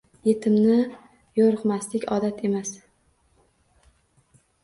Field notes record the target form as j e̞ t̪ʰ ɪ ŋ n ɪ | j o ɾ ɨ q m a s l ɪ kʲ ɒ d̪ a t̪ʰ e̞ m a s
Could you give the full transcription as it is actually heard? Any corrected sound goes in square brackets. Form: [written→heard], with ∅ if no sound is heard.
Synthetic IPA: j e̞ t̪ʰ ɪ [ŋ→m] n ɪ | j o ɾ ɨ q m a s l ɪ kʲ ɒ d̪ a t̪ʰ e̞ m a s